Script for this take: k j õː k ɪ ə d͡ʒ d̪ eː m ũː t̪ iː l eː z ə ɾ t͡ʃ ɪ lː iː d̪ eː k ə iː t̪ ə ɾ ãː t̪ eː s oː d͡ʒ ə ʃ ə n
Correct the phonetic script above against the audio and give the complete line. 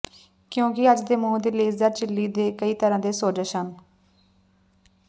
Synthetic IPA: k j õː k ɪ ə d͡ʒ d̪ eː m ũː d̪ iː l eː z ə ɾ t͡ʃ ɪ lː iː d̪ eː k ə iː t̪ ə ɾ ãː d̪ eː s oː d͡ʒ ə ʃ ə n